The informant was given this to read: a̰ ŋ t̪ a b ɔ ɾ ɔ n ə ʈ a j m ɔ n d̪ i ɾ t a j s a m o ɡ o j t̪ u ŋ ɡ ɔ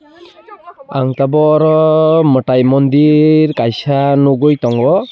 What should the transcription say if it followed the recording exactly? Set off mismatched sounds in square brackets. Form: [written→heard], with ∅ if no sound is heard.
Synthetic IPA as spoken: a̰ ŋ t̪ a b ɔ ɾ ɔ [n→m] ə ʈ a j m ɔ n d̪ i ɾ [t→k] a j s a [m→n] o ɡ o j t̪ [u→ɔ] ŋ ɡ ɔ